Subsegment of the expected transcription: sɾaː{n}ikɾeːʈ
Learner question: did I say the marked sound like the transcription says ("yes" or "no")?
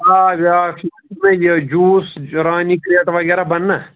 yes